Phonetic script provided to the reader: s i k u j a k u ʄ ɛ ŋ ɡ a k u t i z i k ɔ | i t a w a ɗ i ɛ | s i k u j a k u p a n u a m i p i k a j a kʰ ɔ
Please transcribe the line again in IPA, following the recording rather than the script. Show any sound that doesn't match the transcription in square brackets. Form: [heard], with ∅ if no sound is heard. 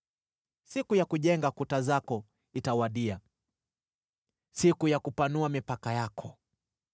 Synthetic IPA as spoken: s i k u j a k u ʄ ɛ ŋ ɡ a k u t [a] z [a] k ɔ | i t a w a ɗ i [a] | s i k u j a k u p a n u a m i p [a] k a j a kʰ ɔ

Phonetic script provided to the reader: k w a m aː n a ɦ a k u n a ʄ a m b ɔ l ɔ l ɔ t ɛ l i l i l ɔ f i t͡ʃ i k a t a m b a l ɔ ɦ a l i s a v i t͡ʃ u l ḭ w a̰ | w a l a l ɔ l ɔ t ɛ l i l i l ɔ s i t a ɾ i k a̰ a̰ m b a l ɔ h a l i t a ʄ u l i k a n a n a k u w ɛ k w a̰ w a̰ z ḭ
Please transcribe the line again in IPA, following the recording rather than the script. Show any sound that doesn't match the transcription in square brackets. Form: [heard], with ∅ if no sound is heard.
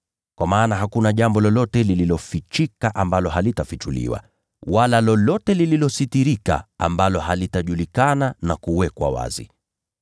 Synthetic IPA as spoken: k w a m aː n a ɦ a k u n a ʄ a m b ɔ l ɔ l ɔ t ɛ l i l i l ɔ f i t͡ʃ i k a [ʔ] a m b a l ɔ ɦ a l i [t] a [f] i t͡ʃ u l ḭ w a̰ | w a l a l ɔ l ɔ t ɛ l i l i l ɔ s i t [i] ɾ i k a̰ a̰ m b a l ɔ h a l i t a ʄ u l i k a n a n a k u w ɛ k w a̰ w a̰ z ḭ

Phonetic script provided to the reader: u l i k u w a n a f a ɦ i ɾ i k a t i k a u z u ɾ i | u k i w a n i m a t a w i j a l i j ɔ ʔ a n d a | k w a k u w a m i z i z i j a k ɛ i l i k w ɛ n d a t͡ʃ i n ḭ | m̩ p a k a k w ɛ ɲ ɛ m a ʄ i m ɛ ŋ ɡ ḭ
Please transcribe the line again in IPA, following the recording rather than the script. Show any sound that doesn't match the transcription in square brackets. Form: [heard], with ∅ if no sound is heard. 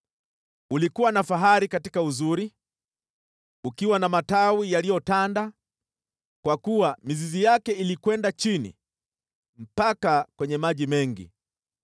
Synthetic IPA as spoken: u l i k u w a n a f a ɦ [a] ɾ i k a t i k a u z u ɾ i | u k i w a n [a] m a t a w i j a l i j ɔ [t] a n d a | k w a k u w a m i z i z i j a k ɛ i l i k w ɛ n d a t͡ʃ i n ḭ | m̩ p a k a k w ɛ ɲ ɛ m a ʄ i m ɛ ŋ ɡ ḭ

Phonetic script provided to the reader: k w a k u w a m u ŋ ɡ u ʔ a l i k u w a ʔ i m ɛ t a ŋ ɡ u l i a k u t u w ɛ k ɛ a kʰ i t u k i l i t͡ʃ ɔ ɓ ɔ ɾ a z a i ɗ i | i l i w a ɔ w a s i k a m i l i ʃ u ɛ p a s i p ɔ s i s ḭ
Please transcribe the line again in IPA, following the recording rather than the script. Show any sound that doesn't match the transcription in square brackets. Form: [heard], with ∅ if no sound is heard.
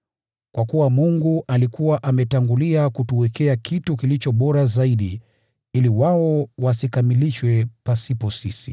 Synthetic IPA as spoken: k w a k u w a m u ŋ ɡ u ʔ a l i k u w a ʔ [a] m ɛ t a ŋ ɡ u l i a k u t u w ɛ k ɛ a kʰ i t u k i l i t͡ʃ ɔ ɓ ɔ ɾ a z a i ɗ i | i l i w a ɔ w a s i k a m i l i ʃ [w] ɛ p a s i p ɔ s i s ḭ

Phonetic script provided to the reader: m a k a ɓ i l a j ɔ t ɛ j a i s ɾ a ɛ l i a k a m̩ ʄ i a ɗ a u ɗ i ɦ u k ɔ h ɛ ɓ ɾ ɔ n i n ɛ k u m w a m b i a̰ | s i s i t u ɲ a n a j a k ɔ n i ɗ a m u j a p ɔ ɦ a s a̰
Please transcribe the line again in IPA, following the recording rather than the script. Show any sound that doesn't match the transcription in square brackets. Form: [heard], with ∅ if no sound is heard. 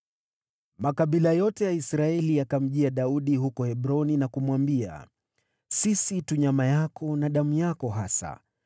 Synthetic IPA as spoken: m a k a ɓ i l a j ɔ t ɛ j a i s ɾ a ɛ l i a k a m̩ ʄ i a ɗ a u ɗ i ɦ u k ɔ h ɛ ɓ ɾ ɔ n i n [a] k u m w a m b i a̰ | s i s i t u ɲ a [m] a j a k ɔ n [a] ɗ a m u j a [k] ɔ ɦ a s a̰

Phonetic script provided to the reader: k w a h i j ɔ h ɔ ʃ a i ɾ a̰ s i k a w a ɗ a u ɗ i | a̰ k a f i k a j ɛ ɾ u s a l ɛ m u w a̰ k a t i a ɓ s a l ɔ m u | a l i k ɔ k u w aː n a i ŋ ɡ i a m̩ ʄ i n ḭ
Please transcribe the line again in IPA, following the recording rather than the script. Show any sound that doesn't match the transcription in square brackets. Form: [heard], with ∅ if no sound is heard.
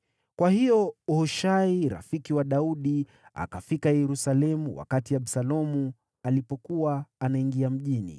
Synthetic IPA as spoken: k w a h i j ɔ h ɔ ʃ a i ɾ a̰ [f] i k [i] w a ɗ a u ɗ i | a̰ k a f i k a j ɛ ɾ u s a l ɛ m u w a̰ k a t i a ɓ s a l ɔ m u | a l i [p] ɔ k u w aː n a i ŋ ɡ i a m̩ ʄ i n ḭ

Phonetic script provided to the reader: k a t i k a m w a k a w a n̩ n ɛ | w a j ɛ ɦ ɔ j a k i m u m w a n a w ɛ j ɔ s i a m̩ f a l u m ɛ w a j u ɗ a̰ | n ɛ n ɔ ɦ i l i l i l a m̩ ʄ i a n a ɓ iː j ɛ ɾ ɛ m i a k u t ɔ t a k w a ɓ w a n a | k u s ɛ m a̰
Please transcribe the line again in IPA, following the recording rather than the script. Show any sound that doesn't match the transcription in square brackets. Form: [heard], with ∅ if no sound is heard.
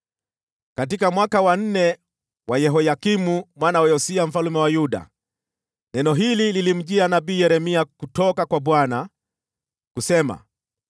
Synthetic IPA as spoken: k a t i k a m w a k a w a n̩ n ɛ | w a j ɛ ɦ ɔ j a k i m u m w a n a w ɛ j ɔ s i a m̩ f a l u m ɛ w a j u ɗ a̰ | n ɛ n ɔ ɦ i l i l i l [i] m̩ ʄ i a n a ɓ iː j ɛ ɾ ɛ m i a k u t ɔ [k] a k w a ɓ w a n a | k u s ɛ m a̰

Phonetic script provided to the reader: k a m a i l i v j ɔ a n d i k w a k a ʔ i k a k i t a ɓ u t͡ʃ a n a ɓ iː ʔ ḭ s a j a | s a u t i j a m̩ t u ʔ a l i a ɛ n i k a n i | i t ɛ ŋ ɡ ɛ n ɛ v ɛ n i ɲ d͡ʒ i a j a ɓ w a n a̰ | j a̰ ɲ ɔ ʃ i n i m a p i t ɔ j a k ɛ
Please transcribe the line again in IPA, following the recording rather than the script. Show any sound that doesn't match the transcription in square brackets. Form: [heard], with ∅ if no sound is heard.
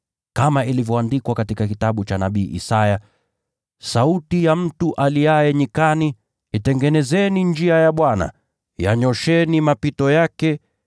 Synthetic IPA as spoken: k a m a i l i v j ɔ a n d i k w a k a [t] i k a k i t a ɓ u t͡ʃ a n a ɓ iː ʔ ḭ s a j a | s a u t i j a m̩ t u ʔ a l i a ɛ [ɲ] i k a n i | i t ɛ ŋ ɡ ɛ n ɛ [z] ɛ n i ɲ d͡ʒ i a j a ɓ w a n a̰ | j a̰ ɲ ɔ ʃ [ɛ] n i m a p i t ɔ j a k ɛ

